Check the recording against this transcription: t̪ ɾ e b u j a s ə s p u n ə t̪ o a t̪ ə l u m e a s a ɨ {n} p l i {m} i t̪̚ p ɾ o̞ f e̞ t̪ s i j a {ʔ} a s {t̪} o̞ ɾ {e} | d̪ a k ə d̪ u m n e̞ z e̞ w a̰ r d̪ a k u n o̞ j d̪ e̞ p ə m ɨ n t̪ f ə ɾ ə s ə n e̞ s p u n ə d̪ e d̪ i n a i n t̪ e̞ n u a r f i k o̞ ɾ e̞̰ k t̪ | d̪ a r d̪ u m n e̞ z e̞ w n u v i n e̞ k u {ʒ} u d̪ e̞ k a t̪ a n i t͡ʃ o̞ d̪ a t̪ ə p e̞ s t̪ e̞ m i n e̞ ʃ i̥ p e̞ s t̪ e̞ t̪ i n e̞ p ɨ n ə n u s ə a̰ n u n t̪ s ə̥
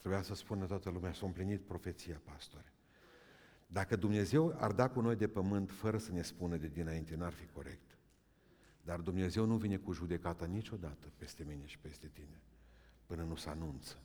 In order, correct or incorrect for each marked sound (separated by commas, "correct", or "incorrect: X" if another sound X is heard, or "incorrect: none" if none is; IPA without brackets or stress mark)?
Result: incorrect: m, incorrect: n, incorrect: p, correct, correct, correct